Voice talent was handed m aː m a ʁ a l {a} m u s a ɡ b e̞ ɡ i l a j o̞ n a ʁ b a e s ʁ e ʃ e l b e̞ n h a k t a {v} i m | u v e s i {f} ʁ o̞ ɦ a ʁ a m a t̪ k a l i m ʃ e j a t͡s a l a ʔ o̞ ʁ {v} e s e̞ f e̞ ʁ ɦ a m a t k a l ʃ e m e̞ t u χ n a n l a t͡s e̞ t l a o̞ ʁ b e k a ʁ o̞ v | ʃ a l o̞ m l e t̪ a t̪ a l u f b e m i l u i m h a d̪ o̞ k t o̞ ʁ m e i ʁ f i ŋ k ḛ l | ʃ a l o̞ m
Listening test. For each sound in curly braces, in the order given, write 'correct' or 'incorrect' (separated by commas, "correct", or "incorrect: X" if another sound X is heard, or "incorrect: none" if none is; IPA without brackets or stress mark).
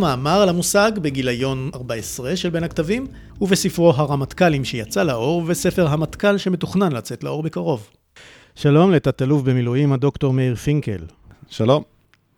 correct, correct, correct, correct